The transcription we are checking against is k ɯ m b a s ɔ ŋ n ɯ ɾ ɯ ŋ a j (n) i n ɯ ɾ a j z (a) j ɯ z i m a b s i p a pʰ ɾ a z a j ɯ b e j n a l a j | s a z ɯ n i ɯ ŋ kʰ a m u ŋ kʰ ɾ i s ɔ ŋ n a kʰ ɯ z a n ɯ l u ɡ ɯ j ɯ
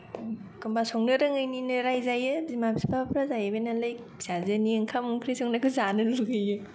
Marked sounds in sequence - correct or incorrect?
correct, correct

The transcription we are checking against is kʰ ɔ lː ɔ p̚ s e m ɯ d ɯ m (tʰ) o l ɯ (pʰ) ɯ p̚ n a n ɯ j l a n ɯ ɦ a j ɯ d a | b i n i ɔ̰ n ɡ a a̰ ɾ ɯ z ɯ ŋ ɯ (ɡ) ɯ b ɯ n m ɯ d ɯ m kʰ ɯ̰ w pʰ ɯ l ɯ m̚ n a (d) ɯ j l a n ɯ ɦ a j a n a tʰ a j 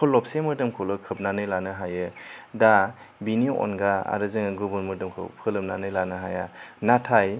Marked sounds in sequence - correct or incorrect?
incorrect: kʰ, incorrect: kʰ, correct, incorrect: n

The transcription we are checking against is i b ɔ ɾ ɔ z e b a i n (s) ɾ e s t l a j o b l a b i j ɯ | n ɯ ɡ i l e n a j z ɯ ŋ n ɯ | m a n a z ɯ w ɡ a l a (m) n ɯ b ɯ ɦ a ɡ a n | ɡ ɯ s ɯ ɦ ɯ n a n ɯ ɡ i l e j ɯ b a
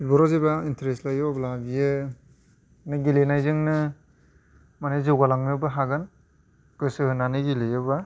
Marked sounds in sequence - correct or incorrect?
incorrect: t, incorrect: ŋ

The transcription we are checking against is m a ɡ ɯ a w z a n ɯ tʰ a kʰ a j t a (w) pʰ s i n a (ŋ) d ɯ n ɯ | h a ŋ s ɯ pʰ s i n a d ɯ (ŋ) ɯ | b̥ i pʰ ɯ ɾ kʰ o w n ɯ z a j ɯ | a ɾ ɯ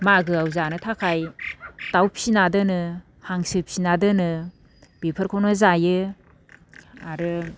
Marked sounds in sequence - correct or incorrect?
correct, incorrect: none, incorrect: n

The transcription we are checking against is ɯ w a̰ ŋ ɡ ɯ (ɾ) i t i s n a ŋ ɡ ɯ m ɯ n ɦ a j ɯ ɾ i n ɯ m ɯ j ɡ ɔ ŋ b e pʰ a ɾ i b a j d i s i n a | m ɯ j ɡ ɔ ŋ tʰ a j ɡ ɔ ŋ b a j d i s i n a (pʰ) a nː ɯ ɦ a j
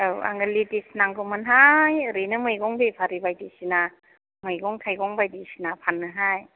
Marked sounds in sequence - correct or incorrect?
incorrect: l, correct

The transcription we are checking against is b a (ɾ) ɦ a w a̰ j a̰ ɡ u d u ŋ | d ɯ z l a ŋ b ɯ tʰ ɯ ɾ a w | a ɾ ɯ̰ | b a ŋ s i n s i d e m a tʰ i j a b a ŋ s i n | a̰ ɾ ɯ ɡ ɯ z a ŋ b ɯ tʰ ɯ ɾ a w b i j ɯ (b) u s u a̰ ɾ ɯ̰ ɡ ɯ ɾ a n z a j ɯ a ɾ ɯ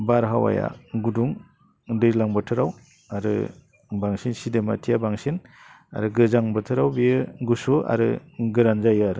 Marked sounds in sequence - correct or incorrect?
correct, incorrect: ɡ

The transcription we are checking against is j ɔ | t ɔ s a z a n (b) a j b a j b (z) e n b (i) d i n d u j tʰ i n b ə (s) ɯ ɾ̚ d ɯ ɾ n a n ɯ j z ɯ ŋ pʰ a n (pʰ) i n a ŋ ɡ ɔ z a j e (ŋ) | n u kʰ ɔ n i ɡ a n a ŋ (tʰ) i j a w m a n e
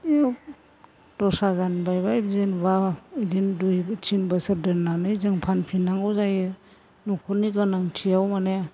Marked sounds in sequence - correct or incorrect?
correct, correct, incorrect: a, correct, correct, incorrect: none, correct

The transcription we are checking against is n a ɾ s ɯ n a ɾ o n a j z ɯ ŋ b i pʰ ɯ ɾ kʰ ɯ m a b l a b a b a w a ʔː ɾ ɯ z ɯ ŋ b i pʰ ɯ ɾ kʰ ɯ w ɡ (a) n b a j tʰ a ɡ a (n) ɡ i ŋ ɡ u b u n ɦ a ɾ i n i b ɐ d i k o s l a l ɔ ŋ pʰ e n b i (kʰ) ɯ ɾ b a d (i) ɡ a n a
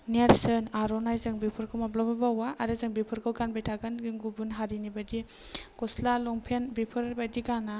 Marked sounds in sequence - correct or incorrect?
correct, correct, incorrect: pʰ, correct

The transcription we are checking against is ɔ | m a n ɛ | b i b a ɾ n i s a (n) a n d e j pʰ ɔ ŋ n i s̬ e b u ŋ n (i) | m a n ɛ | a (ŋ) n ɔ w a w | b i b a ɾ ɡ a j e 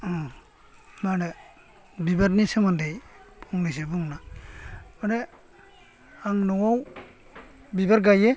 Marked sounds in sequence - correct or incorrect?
incorrect: m, incorrect: a, correct

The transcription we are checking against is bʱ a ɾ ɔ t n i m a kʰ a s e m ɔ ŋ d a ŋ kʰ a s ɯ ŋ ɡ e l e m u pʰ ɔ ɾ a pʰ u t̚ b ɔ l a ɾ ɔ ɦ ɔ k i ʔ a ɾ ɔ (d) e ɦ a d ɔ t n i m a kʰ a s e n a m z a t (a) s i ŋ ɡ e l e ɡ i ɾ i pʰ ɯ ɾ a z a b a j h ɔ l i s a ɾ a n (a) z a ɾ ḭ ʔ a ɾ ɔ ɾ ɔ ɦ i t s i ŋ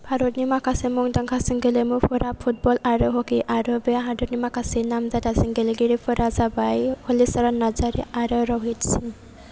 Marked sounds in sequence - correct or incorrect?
incorrect: b, correct, correct

